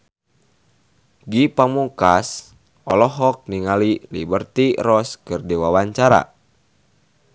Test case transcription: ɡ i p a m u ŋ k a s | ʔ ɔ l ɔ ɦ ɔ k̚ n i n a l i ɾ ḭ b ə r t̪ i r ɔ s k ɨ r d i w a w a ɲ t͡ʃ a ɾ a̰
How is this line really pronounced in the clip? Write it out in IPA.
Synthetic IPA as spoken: ɡ i p a m u ŋ k a s | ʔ ɔ l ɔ ɦ ɔ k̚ n i ŋ a l i l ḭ b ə r t̪ i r ɔ s k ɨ r d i w a w a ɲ t͡ʃ a ɾ a̰